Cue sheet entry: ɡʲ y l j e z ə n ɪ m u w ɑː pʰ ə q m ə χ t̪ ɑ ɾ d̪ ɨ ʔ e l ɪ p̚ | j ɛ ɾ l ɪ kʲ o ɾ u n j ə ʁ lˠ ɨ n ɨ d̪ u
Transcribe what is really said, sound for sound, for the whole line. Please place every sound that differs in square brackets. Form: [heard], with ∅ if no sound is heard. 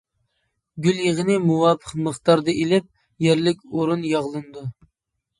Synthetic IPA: ɡʲ y l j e [ʁ] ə n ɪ m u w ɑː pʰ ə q m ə χ t̪ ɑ ɾ d̪ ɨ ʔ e l ɪ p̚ | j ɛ ɾ l ɪ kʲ o ɾ u n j [ɑ] ʁ lˠ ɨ n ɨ d̪ u